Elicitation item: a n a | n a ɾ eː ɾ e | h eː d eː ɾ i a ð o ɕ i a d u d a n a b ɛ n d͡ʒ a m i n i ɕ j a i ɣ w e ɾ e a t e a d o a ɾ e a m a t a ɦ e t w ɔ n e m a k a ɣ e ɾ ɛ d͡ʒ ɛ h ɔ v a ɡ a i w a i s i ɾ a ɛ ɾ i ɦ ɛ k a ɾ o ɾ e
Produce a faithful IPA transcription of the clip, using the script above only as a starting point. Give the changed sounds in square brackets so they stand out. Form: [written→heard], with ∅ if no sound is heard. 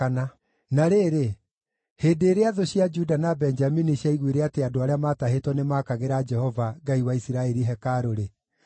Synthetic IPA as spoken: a n a | n a ɾ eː ɾ e | h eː d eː ɾ [i→e] a ð o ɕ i a [d→d͡ʒ] u d a n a b ɛ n d͡ʒ a m i n i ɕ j a i ɣ w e ɾ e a t e a d o a ɾ e a m a t a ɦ e t w ɔ n e m a k a ɣ e ɾ [ɛ→a] d͡ʒ ɛ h ɔ v a ɡ a i w a i s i ɾ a ɛ ɾ i ɦ ɛ k a ɾ o ɾ e